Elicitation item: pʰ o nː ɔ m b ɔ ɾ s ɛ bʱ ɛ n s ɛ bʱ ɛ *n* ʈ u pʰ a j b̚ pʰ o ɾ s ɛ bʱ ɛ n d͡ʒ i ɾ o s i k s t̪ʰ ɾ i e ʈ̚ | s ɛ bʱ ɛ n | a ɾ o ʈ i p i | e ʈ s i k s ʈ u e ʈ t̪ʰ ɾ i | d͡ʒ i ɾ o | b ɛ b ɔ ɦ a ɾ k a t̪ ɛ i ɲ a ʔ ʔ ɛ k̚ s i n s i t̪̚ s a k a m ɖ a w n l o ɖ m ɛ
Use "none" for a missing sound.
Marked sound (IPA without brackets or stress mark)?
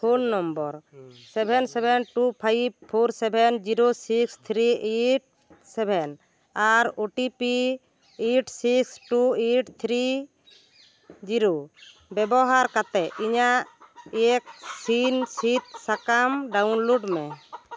n